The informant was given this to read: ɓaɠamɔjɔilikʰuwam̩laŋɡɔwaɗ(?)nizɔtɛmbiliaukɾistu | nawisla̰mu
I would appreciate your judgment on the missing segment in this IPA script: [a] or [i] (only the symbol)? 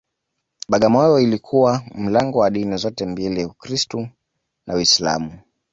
i